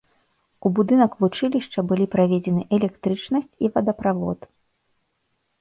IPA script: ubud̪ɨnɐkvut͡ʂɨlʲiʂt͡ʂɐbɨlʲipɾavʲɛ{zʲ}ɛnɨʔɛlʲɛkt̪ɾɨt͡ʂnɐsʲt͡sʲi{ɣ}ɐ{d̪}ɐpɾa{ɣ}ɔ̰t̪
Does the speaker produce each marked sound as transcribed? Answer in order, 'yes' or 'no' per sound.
no, no, yes, no

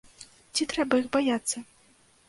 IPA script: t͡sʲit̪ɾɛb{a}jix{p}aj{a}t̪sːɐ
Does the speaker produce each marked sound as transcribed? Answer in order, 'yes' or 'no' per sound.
no, no, yes

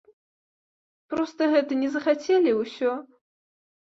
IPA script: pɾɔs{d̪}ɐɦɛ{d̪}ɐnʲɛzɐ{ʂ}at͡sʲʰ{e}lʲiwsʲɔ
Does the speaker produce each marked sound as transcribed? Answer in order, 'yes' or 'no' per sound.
no, no, no, yes

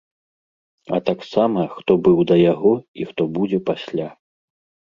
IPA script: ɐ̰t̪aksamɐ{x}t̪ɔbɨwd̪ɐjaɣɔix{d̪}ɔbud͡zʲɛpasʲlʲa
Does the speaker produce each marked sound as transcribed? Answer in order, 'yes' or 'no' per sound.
yes, no

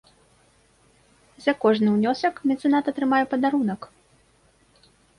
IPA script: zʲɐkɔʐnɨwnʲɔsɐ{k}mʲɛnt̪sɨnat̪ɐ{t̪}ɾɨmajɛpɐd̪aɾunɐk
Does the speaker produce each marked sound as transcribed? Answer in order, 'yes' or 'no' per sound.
yes, yes

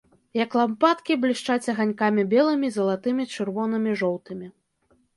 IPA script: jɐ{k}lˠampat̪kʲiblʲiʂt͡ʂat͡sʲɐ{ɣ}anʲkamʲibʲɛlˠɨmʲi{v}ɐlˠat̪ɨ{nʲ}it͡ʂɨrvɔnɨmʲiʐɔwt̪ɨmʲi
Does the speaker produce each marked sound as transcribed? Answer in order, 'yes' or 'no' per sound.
yes, yes, no, no

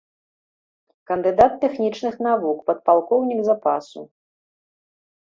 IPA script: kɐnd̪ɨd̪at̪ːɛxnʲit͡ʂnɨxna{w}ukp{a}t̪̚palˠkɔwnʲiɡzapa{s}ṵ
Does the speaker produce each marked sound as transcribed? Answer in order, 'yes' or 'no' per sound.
no, no, yes

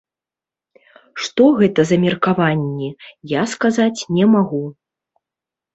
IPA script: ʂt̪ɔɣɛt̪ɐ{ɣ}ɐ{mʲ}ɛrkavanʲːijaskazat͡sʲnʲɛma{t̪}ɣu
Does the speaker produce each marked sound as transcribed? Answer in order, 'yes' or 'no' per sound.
no, yes, no

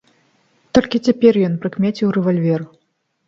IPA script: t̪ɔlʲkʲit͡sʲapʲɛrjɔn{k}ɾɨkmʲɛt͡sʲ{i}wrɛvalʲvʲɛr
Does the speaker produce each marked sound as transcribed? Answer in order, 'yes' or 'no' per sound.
no, yes

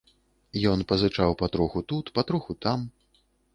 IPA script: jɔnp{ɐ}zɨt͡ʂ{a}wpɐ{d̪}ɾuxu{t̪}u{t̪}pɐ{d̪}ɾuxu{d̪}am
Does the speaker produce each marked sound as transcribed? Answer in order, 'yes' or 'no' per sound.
yes, yes, no, yes, yes, no, no

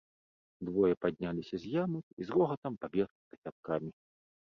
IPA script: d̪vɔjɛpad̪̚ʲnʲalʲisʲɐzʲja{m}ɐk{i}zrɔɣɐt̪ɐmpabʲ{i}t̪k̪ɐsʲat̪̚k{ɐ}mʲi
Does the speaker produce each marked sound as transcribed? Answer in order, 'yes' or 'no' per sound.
yes, yes, no, no

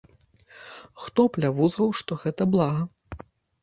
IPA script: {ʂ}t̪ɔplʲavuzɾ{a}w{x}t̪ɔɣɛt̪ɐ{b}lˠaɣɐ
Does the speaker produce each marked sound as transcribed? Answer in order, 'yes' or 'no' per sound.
no, no, no, yes

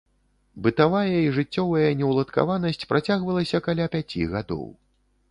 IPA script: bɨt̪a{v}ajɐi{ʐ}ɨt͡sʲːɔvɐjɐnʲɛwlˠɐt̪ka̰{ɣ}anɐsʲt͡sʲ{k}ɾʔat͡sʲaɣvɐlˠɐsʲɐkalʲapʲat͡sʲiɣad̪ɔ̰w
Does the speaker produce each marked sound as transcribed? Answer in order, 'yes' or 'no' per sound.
yes, yes, no, no

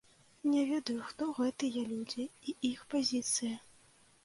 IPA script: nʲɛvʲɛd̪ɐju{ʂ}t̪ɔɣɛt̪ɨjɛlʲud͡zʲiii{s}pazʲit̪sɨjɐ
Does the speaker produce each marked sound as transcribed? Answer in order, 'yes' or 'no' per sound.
no, no

